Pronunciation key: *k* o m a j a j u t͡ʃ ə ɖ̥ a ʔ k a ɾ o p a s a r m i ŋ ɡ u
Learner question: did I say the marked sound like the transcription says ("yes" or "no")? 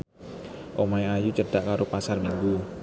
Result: no